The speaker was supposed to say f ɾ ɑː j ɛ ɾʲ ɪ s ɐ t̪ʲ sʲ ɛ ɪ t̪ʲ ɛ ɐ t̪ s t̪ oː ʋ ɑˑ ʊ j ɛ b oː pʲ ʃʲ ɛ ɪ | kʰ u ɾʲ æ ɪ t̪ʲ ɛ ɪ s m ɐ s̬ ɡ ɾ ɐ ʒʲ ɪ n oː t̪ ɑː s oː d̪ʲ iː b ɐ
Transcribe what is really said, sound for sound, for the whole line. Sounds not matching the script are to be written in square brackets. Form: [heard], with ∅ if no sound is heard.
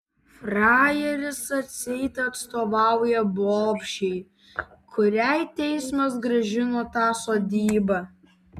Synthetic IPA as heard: f ɾ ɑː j ɛ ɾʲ ɪ s ɐ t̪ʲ sʲ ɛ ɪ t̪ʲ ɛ ɐ t̪ s t̪ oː ʋ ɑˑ ʊ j ɛ b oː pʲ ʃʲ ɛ ɪ | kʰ [ʊ] ɾʲ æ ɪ t̪ʲ ɛ ɪ s m ɐ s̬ ɡ ɾ ɐ ʒʲ ɪ n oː t̪ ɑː s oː d̪ʲ iː b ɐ